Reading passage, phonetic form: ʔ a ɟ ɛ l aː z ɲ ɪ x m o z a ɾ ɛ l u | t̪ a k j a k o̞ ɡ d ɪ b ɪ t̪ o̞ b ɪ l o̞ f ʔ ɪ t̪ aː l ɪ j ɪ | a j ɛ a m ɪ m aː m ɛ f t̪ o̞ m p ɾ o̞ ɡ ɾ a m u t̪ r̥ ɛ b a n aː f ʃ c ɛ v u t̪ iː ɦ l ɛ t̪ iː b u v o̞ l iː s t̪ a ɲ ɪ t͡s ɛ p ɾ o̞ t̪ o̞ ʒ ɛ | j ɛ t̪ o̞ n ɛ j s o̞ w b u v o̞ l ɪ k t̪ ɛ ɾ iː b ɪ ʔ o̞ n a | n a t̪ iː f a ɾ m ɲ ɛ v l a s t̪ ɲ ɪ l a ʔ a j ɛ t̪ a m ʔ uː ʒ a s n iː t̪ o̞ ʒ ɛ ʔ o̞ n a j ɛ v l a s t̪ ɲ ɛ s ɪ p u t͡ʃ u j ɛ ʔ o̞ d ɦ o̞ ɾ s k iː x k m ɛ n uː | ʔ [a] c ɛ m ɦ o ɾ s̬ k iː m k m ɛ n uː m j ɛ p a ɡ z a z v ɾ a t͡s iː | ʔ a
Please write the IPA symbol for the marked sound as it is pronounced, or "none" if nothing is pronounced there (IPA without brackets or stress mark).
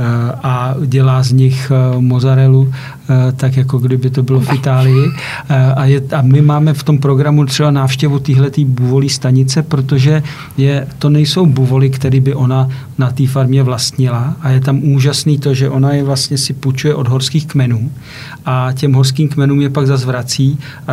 a